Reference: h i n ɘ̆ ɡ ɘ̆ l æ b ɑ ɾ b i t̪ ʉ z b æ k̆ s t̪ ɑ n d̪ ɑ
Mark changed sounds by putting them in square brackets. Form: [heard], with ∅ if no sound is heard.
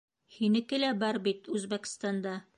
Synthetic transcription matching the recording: h i n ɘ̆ [k] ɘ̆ l æ b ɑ ɾ b i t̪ ʉ z b æ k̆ s t̪ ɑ n d̪ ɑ